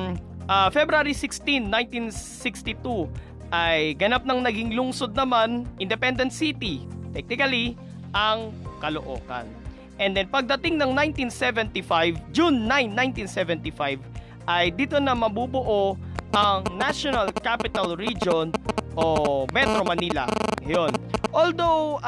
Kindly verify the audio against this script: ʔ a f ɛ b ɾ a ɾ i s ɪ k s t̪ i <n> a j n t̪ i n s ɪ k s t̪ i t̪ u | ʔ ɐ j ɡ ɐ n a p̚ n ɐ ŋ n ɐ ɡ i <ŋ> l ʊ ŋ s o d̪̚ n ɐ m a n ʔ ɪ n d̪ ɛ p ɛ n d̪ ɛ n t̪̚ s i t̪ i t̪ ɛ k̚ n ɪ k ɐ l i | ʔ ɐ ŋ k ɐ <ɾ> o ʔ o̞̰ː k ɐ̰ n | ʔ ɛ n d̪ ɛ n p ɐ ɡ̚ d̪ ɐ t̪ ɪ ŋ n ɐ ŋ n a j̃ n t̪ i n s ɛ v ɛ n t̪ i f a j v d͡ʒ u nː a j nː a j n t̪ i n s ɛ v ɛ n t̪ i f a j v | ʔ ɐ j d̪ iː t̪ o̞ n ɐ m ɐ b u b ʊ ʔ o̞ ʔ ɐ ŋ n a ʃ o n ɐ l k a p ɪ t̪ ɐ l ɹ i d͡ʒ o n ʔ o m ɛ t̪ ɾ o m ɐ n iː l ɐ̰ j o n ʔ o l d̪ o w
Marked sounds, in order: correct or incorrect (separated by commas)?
incorrect, correct, incorrect